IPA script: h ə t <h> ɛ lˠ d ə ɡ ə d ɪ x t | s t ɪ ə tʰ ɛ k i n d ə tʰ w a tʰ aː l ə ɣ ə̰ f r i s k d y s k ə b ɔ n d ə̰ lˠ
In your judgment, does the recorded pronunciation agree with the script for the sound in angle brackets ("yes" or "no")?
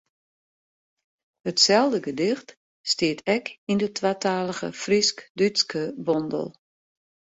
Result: no